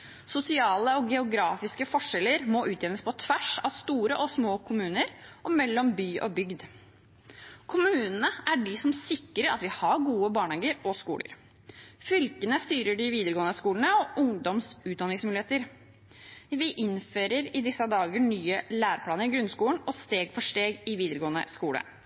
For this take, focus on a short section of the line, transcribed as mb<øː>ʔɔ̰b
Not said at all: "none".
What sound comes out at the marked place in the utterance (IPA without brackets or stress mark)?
yː